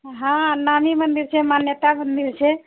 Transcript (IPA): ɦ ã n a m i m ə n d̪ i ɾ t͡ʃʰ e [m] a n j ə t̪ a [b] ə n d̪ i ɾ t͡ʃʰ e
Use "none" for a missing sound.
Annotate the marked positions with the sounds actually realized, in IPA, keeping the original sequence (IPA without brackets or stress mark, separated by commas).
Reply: m, m